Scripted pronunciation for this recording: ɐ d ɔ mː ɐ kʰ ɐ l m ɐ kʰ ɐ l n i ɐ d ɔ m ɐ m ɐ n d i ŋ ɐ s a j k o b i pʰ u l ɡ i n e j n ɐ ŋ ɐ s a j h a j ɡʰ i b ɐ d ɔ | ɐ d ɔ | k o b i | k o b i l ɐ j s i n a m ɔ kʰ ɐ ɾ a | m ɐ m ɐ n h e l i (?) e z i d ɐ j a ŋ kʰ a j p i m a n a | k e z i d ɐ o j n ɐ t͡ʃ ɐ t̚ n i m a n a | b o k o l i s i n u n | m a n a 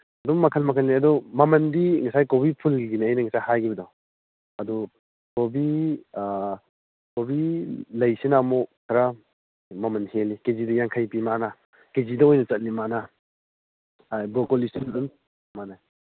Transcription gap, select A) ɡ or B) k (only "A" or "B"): B